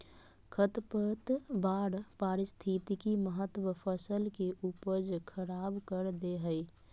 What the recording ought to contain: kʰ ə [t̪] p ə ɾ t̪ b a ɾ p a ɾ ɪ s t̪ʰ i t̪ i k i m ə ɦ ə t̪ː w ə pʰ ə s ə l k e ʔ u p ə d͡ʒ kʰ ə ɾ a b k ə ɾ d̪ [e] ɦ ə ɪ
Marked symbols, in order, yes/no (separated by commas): yes, yes